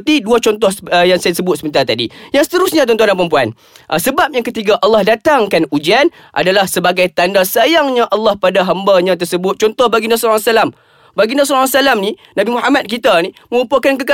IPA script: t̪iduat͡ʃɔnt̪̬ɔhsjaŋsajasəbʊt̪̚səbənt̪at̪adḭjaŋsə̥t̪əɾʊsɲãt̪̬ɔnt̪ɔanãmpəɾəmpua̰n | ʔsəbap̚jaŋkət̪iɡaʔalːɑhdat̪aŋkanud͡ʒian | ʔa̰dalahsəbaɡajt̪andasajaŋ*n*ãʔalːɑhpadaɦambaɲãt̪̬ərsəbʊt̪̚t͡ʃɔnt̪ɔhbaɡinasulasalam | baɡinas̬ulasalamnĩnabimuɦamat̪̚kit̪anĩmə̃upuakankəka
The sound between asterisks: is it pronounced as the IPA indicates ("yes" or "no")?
no